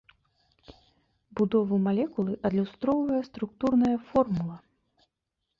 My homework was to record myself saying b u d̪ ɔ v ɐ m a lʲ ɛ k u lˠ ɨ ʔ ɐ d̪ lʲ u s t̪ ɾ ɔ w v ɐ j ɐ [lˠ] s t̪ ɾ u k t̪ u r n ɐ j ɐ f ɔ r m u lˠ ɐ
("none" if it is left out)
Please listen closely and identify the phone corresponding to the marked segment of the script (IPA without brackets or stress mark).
none